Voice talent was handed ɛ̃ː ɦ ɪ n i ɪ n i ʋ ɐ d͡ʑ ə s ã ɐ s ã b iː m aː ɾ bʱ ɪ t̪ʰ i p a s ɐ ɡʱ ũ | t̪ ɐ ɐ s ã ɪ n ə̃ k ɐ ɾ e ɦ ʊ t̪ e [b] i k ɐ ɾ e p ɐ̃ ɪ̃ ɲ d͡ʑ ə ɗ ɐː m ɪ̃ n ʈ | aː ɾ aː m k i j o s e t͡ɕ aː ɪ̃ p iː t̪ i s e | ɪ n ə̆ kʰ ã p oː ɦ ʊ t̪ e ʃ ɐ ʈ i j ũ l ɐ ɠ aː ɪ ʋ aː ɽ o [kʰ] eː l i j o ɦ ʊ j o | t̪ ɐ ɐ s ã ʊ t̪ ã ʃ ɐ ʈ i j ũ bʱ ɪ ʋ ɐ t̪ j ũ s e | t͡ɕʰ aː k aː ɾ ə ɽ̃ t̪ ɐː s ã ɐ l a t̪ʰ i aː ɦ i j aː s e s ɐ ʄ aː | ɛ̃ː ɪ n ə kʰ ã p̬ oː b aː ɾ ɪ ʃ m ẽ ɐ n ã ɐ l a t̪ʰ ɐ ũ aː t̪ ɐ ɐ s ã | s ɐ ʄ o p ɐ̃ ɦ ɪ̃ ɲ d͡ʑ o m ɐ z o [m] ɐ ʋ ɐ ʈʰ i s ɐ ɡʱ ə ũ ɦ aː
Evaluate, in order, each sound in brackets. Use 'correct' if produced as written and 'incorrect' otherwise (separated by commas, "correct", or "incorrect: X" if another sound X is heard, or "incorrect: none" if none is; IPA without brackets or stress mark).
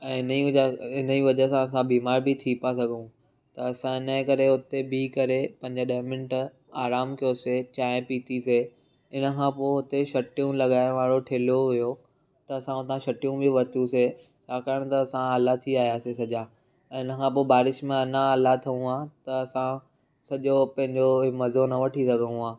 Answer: correct, incorrect: ʈʰ, incorrect: n